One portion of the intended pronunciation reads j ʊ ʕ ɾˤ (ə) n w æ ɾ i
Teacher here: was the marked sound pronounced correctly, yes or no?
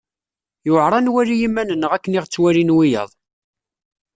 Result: no